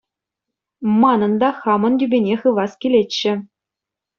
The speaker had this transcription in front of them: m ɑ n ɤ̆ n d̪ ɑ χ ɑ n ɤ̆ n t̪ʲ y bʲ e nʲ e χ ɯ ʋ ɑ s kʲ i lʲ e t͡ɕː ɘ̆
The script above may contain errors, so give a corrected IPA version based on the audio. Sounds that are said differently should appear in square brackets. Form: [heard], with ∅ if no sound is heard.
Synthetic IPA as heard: m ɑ n ɤ̆ n d̪ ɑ χ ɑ [m] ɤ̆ n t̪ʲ y bʲ e nʲ e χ ɯ ʋ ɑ s kʲ i lʲ e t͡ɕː ɘ̆